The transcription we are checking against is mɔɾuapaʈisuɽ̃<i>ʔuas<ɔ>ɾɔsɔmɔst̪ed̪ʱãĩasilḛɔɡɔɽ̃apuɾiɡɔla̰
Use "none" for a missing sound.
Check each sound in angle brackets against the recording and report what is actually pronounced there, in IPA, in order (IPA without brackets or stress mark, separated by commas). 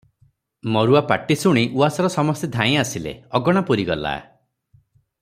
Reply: i, ɔ